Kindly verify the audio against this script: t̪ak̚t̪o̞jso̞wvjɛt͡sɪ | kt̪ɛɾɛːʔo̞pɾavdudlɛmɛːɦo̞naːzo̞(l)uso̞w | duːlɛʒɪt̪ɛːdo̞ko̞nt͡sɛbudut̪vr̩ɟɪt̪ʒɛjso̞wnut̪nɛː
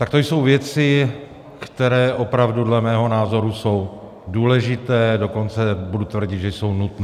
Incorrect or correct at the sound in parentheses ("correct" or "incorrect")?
incorrect